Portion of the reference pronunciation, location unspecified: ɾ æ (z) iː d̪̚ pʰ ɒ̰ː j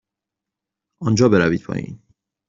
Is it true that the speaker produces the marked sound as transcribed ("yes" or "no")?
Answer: no